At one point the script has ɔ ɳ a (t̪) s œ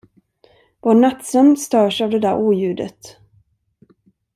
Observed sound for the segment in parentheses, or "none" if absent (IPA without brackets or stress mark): t̪